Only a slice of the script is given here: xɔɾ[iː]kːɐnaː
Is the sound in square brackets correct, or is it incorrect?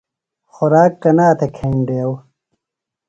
incorrect